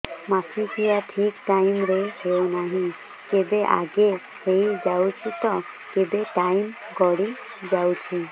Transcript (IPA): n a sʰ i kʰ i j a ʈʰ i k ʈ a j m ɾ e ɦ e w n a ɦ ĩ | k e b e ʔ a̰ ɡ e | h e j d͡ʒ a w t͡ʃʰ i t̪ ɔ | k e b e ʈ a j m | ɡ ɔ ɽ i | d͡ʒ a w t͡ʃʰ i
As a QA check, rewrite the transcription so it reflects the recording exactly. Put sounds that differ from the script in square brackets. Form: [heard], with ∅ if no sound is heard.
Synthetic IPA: [m] a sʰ i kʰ i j a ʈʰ i k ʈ a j m ɾ e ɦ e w n a ɦ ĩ | k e b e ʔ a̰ ɡ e | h e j d͡ʒ a w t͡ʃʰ i t̪ ɔ | k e b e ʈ a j m | ɡ ɔ ɽ i | d͡ʒ a w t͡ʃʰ i